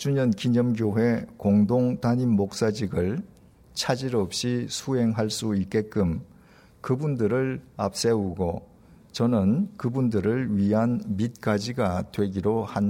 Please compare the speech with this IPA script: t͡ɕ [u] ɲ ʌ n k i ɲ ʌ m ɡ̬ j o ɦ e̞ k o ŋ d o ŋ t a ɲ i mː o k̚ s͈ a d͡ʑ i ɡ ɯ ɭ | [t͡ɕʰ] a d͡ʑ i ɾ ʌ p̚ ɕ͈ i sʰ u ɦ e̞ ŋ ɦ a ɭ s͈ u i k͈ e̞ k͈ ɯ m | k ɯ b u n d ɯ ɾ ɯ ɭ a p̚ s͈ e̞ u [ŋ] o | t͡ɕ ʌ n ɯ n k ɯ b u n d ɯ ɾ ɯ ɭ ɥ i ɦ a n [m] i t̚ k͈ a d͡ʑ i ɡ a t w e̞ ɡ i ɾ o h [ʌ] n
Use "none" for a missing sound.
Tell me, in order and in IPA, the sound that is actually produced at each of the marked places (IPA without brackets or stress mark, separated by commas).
u, t͡ɕʰ, ɡ, m, a